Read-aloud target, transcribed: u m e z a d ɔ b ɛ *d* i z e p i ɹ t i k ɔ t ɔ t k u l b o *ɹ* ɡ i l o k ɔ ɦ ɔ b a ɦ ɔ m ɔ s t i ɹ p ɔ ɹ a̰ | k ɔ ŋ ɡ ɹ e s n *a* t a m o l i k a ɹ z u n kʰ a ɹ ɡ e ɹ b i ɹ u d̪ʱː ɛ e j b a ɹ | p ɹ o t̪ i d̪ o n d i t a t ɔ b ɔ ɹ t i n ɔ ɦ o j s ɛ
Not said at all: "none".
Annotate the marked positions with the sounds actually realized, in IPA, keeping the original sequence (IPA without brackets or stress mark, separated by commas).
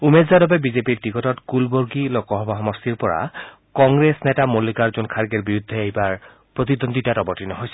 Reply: b, ɹ, ɛ